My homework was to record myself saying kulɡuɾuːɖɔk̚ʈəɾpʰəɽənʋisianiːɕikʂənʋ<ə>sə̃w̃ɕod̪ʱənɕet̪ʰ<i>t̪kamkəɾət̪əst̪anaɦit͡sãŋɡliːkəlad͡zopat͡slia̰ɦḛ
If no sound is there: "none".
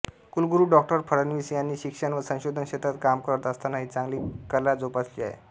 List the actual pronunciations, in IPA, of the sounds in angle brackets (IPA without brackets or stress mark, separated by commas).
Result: ə, a